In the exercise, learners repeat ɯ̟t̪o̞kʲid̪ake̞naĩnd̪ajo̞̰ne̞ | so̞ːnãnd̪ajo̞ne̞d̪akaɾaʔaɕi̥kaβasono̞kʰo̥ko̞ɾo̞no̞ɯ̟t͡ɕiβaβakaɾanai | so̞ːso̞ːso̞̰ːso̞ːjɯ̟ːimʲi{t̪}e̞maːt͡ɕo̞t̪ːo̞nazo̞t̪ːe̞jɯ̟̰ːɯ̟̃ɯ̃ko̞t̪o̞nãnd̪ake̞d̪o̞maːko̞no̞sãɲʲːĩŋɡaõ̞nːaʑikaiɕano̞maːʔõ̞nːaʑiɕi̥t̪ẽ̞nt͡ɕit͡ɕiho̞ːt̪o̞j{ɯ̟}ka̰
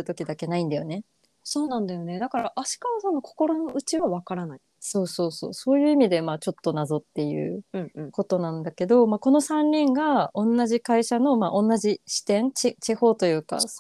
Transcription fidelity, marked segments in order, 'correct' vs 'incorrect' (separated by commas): incorrect, incorrect